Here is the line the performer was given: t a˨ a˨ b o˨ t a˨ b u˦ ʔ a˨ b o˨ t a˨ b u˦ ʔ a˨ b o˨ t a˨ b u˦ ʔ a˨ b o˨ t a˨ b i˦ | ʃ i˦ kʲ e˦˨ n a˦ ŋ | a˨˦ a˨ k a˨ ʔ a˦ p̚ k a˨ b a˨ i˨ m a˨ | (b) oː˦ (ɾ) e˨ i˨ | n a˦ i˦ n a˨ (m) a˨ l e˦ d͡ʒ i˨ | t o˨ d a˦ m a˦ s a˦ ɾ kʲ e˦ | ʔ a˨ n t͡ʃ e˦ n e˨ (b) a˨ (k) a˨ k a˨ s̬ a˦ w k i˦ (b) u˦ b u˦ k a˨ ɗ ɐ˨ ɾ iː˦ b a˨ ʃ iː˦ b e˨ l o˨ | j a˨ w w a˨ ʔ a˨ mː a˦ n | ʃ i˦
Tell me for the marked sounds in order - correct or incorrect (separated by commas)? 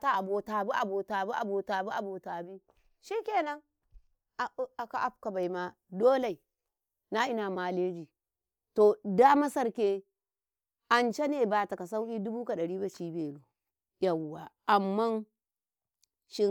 incorrect, incorrect, correct, correct, incorrect, incorrect